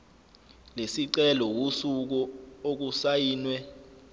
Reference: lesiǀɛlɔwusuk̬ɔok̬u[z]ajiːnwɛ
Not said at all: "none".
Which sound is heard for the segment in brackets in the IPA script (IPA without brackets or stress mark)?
s